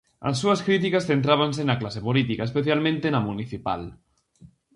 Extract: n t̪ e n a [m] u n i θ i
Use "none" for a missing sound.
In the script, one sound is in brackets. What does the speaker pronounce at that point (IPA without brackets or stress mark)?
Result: m